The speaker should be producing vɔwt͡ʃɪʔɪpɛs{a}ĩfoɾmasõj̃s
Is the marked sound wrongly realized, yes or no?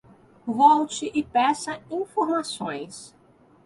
yes